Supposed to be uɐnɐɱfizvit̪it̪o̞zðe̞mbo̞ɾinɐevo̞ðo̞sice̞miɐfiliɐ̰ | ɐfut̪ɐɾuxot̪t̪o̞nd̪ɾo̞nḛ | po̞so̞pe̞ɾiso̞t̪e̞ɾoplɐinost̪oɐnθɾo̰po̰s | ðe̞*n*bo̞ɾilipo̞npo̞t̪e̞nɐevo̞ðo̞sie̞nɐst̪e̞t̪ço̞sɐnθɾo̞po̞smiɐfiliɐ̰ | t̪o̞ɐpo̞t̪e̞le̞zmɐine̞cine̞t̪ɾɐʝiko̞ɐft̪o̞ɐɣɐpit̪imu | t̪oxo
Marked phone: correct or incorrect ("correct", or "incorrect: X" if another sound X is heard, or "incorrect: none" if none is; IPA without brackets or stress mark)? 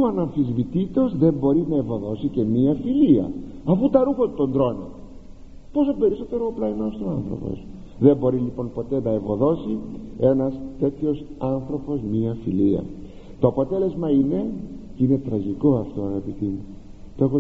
incorrect: m